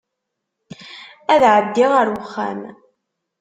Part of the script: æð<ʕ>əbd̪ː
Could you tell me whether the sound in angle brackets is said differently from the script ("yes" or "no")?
no